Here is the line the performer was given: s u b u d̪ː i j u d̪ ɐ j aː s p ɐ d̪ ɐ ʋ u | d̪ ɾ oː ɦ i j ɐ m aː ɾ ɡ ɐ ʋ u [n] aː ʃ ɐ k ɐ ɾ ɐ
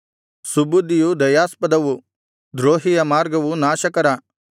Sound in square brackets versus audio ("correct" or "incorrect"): correct